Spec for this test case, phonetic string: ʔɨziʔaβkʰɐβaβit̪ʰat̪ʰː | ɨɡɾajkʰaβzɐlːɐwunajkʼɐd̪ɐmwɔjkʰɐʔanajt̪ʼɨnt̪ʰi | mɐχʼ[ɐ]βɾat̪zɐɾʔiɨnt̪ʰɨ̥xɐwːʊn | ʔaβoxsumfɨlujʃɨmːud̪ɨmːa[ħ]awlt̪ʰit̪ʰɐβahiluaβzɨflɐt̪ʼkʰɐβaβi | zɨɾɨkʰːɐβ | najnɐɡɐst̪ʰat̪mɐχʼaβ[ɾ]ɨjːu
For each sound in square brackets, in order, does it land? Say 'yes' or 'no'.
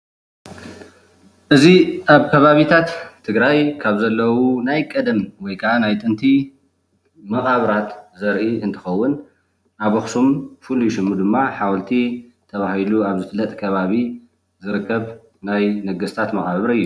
no, yes, yes

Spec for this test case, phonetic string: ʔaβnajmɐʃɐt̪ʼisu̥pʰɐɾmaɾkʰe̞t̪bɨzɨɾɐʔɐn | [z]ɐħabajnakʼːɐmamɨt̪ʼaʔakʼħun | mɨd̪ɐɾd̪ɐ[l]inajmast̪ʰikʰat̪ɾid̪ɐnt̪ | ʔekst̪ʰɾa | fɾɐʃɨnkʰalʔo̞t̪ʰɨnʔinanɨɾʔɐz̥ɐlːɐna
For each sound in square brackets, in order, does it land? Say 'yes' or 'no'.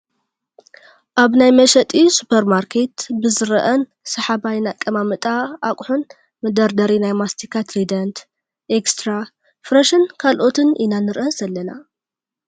no, no

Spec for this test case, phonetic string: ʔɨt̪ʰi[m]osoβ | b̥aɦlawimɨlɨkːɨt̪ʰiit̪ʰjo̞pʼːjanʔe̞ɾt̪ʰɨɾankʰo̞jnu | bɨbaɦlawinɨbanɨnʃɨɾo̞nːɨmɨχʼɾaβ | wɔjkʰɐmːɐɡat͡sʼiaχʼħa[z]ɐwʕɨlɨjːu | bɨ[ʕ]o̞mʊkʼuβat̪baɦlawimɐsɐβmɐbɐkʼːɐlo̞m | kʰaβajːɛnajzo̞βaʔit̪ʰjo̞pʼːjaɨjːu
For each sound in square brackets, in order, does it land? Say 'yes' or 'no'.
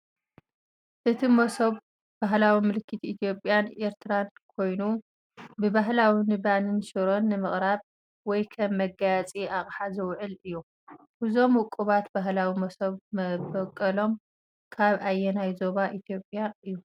yes, yes, no

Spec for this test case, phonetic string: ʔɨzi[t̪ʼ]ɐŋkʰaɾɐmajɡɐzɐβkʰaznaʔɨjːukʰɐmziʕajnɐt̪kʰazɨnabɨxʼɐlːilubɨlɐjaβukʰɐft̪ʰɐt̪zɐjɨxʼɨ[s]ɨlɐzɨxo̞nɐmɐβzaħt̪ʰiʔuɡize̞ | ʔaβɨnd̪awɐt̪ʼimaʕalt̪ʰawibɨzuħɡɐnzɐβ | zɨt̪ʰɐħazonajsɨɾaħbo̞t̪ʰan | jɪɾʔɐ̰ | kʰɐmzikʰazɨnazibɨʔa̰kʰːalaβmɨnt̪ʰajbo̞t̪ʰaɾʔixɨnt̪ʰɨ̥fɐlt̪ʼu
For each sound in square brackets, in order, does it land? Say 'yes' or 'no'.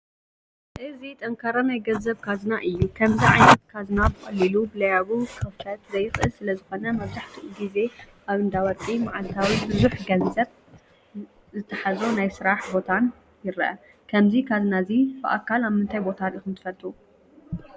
yes, yes

